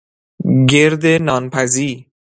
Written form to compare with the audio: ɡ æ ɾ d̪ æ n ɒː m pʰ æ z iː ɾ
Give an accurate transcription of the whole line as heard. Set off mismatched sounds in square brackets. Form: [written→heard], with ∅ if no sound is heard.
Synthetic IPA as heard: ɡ [æ→e] ɾ d̪ [æ→e] n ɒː [m→n] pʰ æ z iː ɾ